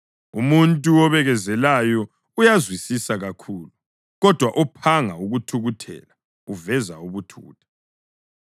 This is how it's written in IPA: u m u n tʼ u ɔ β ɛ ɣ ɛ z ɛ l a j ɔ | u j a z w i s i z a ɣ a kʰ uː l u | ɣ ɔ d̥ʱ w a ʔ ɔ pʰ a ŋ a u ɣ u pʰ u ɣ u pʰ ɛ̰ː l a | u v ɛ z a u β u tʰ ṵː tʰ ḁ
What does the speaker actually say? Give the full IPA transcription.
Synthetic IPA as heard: u m u n tʼ u ɔ β ɛ ɣ ɛ z ɛ l a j ɔ | u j a z w i s i s a ɣ a kʰ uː l u | ɣ ɔ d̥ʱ w a ʔ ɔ pʰ a ŋ a u ɣ u tʰ u ɣ u tʰ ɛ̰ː l a | u v ɛ z a u β u tʰ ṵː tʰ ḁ